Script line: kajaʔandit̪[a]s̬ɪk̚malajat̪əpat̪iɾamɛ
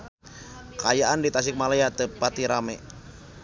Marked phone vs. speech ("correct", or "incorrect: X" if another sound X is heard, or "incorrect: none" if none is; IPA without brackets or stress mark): correct